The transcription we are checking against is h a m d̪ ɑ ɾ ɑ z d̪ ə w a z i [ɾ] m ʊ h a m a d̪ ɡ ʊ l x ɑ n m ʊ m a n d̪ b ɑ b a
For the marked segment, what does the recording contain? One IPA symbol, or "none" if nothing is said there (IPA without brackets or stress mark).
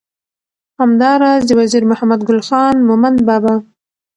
ɾ